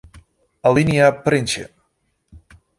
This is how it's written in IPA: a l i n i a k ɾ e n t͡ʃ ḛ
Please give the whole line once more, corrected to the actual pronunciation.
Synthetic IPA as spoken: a l i n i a p ɾ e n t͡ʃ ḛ